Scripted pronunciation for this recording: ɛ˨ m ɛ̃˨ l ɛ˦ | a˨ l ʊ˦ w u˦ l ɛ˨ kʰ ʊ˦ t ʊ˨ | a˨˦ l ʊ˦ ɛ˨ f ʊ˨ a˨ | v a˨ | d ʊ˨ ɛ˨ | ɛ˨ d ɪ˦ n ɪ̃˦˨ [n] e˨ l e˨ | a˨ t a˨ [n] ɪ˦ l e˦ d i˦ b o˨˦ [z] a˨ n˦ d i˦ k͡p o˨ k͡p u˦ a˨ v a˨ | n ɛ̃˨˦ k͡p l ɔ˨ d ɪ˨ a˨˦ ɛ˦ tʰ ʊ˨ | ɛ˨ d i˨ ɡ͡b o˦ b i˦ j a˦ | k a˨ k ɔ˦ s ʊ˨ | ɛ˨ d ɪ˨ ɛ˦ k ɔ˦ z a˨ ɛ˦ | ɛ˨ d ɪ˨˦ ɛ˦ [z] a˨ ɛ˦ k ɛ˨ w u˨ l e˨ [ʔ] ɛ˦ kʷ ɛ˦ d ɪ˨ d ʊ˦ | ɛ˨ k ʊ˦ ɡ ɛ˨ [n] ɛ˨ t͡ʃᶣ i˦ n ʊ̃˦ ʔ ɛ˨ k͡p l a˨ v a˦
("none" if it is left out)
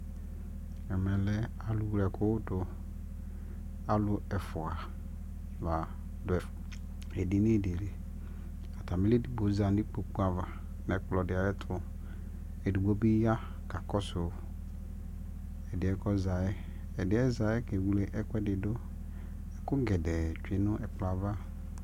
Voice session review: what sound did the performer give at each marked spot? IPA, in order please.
d, m, z, z, ʔ, d

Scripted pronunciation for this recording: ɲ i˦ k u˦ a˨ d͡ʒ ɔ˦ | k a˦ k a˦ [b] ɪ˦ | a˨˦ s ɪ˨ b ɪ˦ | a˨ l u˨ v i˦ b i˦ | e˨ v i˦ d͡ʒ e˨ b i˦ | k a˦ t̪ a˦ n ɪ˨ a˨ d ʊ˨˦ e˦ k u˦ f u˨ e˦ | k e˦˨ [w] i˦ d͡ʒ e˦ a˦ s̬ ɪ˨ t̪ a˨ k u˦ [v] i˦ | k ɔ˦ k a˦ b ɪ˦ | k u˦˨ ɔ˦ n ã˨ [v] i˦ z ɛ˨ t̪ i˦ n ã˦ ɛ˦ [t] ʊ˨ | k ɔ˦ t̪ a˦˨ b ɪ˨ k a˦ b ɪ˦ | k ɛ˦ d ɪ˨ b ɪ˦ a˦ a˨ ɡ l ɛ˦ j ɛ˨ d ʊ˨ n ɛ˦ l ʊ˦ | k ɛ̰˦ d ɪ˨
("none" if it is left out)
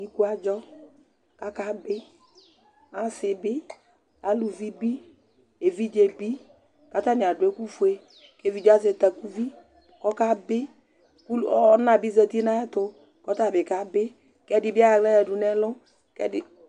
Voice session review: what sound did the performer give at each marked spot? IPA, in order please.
b, v, v, b, t

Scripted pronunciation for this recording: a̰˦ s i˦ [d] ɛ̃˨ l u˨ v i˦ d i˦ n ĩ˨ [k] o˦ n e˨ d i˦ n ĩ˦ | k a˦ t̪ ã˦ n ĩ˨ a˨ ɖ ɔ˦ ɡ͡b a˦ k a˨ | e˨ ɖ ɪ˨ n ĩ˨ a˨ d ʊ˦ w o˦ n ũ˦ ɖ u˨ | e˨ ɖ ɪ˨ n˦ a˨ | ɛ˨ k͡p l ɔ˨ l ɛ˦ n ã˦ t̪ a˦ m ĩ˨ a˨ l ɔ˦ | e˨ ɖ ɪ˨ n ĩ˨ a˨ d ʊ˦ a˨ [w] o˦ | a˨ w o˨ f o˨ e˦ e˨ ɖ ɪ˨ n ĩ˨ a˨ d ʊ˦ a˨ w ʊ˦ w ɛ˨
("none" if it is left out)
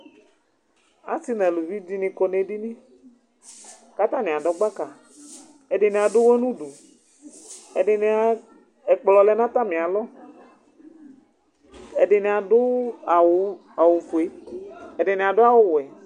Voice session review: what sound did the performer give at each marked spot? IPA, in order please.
n, k, w

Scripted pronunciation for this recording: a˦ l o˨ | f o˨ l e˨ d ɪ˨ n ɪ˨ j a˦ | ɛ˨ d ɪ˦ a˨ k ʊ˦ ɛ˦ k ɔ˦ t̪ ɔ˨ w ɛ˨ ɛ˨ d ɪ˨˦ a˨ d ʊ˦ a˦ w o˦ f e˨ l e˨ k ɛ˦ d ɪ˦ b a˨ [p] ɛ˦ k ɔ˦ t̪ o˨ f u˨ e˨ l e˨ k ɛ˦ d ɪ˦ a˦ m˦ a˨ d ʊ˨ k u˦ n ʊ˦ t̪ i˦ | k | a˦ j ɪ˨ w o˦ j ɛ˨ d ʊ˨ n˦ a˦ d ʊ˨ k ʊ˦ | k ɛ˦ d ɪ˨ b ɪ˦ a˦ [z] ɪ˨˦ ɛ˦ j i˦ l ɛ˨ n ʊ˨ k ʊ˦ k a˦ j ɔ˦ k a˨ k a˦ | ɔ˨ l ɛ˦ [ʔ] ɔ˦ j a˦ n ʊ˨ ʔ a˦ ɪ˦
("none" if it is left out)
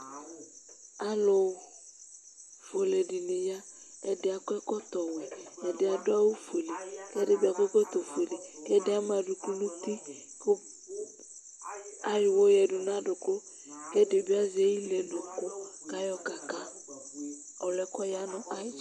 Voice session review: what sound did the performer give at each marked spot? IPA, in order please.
k, z, k

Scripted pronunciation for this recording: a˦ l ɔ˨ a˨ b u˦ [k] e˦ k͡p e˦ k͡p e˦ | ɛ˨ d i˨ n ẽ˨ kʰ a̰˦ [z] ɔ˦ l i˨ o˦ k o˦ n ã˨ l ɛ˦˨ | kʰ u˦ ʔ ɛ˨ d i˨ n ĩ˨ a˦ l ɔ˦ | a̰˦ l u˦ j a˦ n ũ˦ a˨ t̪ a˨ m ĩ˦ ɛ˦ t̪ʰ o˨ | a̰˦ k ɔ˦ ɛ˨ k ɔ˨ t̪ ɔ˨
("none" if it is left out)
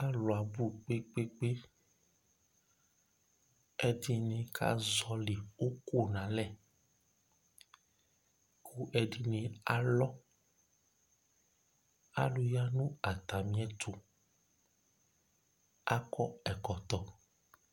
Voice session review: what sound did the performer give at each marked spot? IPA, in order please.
k͡p, z

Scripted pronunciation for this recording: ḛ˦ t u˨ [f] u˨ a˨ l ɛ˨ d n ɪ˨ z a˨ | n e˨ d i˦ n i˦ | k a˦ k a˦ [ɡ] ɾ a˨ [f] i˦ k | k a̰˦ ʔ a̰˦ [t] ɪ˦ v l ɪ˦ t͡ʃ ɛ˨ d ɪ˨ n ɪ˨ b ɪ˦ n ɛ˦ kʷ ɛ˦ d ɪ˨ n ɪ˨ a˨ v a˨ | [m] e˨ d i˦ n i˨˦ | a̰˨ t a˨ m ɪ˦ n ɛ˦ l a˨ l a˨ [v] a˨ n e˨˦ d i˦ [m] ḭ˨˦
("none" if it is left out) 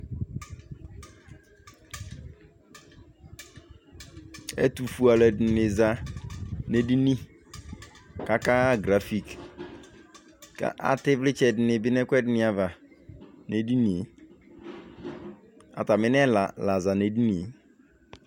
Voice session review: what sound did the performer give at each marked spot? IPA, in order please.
f, ɡ, f, t, n, z, n

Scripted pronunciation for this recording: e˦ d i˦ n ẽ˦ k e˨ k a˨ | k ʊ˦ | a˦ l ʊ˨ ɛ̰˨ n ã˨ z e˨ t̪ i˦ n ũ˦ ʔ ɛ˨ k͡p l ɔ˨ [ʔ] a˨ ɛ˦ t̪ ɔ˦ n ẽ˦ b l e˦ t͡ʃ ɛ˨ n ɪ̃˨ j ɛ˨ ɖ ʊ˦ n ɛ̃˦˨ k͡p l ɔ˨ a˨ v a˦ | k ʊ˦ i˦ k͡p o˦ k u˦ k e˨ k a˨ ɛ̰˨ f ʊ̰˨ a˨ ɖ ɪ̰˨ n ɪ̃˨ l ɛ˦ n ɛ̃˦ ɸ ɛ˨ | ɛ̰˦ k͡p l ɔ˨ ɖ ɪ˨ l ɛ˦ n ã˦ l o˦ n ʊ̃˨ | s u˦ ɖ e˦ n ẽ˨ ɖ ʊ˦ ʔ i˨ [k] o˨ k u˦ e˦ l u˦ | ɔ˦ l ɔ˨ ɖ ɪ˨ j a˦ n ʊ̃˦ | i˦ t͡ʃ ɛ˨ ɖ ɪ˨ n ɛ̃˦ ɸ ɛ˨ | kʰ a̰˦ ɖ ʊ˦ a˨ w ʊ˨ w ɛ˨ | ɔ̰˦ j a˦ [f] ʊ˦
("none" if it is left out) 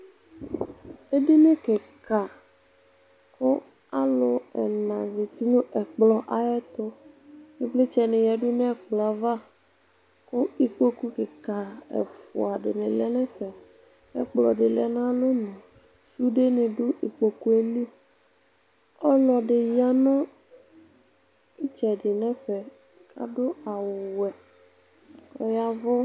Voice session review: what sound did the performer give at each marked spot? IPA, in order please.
ʔ, k͡p, v

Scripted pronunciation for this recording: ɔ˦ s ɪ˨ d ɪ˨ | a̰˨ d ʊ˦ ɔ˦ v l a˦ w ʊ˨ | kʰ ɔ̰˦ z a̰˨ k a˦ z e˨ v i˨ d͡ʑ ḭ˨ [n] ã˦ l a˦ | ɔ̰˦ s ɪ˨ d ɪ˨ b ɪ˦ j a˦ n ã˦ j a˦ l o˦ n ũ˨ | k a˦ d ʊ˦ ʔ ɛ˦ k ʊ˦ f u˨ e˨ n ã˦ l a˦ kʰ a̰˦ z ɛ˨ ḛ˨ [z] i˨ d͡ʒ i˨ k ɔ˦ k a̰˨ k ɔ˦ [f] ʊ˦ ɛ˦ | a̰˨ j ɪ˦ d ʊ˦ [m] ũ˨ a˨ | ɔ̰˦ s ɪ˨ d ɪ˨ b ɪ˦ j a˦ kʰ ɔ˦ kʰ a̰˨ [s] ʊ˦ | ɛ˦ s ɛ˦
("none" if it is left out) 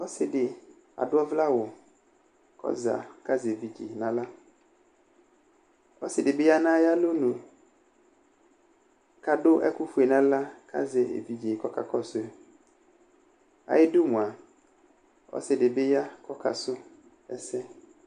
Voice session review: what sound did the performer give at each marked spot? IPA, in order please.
n, v, s, m, s

